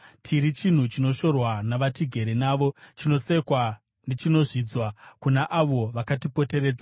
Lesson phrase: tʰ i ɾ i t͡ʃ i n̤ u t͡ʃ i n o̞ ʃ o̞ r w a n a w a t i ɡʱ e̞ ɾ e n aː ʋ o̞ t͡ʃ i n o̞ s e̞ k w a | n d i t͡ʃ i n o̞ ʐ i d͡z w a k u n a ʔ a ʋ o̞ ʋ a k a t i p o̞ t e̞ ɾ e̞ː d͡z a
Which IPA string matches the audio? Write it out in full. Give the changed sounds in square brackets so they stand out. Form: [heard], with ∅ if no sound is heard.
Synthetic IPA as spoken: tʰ i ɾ i t͡ʃ i n̤ u t͡ʃ i n o̞ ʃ o̞ r w a n a [ʋ] a t i ɡʱ e̞ ɾ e n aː ʋ o̞ t͡ʃ i n o̞ s e̞ k w a | n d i t͡ʃ i n o̞ ʐ i d͡z w a k u n a ʔ a ʋ o̞ ʋ a k a t i p o̞ t e̞ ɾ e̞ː d͡z a